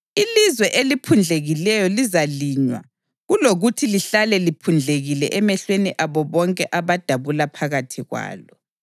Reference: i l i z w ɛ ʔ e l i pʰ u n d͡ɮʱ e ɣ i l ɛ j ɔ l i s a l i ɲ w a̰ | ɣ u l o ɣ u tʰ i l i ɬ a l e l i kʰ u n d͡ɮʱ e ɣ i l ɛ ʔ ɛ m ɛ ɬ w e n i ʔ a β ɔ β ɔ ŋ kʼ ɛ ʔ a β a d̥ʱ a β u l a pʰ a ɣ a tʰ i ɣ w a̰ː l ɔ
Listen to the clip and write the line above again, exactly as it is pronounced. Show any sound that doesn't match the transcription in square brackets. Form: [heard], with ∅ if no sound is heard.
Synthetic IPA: i l i z w ɛ ʔ e l i pʰ u n d͡ɮʱ e ɣ i l ɛ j ɔ l i [z] a l i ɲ w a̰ | ɣ u l o ɣ u tʰ i l i ɬ a l [ɛ] l i [pʰ] u n d͡ɮʱ e ɣ i l ɛ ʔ ɛ m ɛ ɬ w e n i ʔ a β ɔ β ɔ ŋ kʼ ɛ ʔ a β a d̥ʱ a β u l a pʰ a ɣ a tʰ i ɣ w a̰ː l ɔ